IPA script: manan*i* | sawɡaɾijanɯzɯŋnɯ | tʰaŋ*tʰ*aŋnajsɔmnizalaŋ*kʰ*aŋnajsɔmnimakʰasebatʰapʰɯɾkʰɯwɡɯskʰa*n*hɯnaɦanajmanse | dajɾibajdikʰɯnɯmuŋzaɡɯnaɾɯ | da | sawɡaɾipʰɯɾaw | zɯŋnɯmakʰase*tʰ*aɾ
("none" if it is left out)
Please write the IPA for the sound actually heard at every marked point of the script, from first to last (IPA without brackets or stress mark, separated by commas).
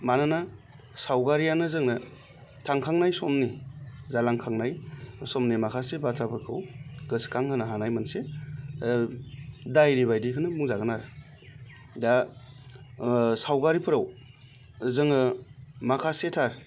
a, kʰ, kʰ, ŋ, tʰ